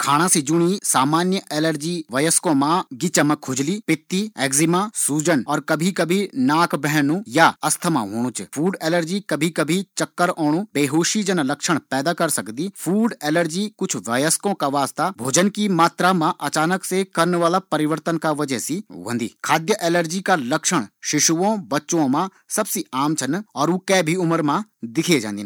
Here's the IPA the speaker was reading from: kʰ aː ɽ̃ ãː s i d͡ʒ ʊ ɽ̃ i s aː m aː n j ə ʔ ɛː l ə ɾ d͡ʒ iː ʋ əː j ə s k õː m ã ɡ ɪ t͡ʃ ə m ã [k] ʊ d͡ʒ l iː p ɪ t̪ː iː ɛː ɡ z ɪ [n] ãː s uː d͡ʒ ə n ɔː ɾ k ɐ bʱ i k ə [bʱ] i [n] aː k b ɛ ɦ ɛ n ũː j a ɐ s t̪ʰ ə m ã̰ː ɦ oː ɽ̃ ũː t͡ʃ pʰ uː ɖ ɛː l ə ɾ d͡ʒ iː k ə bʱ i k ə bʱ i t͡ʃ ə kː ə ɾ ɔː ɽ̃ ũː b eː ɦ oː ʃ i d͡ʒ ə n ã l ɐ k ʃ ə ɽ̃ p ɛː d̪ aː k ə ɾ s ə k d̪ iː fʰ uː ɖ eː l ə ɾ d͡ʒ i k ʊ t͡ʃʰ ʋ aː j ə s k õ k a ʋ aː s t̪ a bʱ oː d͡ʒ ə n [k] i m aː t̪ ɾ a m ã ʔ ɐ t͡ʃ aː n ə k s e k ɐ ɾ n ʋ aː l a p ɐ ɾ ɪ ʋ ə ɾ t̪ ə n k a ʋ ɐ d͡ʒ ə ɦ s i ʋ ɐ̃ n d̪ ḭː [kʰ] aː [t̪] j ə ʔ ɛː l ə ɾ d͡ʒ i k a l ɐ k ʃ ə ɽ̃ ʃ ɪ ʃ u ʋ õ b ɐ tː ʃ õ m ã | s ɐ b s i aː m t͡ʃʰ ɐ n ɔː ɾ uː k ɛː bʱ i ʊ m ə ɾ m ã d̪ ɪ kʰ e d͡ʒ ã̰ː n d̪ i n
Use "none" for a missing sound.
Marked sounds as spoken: kʰ, m, bʱ, n, k, kʰ, d̪

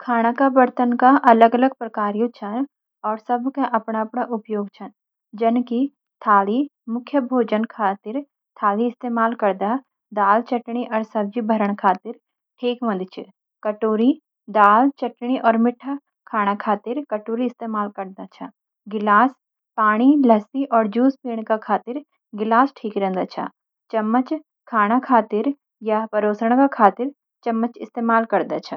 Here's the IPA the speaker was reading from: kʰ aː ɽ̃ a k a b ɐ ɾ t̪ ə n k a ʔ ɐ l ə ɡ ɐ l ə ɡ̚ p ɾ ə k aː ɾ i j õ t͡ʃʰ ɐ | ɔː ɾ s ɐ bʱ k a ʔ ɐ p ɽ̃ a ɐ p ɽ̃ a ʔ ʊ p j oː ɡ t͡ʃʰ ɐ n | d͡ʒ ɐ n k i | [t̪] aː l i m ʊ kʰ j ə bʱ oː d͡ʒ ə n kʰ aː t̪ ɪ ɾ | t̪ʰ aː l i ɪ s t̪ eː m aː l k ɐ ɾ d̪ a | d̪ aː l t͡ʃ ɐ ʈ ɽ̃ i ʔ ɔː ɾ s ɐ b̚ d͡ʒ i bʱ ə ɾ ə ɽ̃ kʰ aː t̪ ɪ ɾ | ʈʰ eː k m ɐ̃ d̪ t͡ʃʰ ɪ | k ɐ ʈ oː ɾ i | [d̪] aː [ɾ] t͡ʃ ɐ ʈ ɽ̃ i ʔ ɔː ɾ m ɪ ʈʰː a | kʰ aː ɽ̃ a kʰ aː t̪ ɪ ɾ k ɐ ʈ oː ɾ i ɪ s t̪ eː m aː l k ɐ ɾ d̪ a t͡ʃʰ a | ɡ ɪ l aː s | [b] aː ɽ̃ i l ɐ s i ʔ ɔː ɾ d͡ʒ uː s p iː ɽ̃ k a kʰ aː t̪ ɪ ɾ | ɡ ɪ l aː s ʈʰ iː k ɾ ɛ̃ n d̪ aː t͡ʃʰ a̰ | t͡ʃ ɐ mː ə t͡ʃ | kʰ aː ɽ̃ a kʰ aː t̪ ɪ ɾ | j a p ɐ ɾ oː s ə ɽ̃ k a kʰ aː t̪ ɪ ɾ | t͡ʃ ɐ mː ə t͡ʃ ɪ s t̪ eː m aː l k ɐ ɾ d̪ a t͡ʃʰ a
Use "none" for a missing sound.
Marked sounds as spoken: t̪ʰ, d̪, l, p

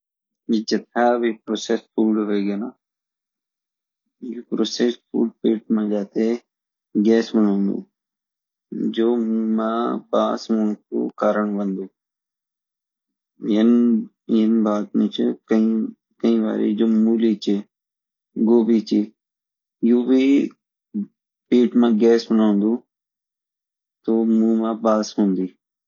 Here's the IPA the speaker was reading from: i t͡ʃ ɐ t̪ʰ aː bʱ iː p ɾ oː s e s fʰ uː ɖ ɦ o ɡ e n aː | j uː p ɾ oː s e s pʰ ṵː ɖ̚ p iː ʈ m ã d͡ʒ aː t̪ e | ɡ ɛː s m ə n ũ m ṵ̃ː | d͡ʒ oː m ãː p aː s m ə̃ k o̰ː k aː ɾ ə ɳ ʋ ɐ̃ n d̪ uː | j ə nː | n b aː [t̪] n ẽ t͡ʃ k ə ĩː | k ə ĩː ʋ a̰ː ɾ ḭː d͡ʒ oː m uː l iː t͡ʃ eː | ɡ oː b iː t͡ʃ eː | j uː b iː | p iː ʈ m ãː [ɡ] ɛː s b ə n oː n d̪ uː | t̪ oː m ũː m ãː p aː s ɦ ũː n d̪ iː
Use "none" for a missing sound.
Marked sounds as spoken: t̪, ɡ

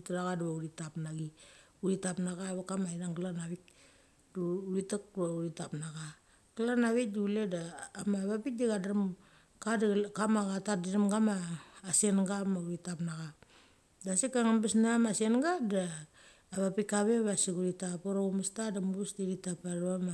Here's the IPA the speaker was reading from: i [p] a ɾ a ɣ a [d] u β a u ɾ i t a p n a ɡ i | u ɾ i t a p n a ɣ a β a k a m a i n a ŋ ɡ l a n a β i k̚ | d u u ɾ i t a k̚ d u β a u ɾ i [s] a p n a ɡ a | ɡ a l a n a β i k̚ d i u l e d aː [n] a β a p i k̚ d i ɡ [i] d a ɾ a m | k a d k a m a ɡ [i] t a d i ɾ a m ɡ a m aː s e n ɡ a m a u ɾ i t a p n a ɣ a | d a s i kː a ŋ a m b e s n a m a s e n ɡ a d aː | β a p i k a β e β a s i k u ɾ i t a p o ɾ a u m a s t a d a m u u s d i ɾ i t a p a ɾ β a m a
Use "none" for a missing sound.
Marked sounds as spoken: t, d, t, m, a, a

